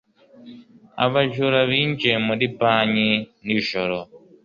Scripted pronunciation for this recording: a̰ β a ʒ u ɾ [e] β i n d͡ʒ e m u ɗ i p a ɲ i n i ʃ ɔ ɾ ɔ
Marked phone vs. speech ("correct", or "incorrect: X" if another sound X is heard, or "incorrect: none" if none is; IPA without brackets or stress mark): incorrect: a